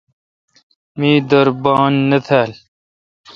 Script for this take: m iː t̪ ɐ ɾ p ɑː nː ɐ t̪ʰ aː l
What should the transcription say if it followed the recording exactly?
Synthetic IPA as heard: m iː d̪ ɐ ɾ b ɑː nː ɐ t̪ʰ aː l